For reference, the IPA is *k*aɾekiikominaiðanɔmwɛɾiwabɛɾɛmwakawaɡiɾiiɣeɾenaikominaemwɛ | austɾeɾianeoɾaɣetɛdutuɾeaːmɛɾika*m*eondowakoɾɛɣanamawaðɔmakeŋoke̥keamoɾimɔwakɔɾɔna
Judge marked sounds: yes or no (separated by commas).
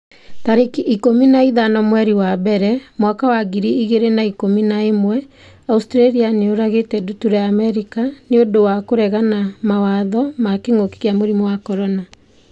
no, no